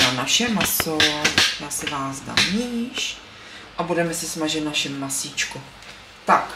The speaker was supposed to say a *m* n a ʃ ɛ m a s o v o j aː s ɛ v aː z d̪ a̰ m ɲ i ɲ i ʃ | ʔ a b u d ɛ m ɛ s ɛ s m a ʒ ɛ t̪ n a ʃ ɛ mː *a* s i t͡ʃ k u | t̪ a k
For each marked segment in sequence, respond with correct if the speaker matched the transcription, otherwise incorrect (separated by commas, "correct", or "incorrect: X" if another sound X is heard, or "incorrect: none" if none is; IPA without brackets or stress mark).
incorrect: none, correct